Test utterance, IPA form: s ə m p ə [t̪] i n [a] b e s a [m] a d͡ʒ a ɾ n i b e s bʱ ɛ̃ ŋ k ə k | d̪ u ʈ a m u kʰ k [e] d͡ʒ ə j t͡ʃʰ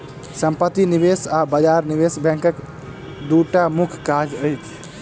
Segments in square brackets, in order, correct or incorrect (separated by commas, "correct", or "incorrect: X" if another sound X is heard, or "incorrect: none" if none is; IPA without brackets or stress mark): correct, incorrect: i, incorrect: b, incorrect: a